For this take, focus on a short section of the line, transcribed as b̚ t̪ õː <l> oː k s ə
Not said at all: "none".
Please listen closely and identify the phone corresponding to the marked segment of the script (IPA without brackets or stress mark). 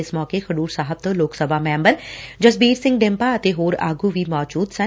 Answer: l